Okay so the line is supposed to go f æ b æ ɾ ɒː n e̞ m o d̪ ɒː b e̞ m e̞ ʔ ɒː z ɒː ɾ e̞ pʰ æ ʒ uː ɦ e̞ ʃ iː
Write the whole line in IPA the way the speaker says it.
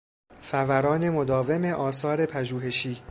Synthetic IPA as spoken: f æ v æ ɾ ɒː n e̞ m o d̪ ɒː v e̞ m e̞ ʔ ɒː s ɒː ɾ e̞ pʰ æ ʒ uː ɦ e̞ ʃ iː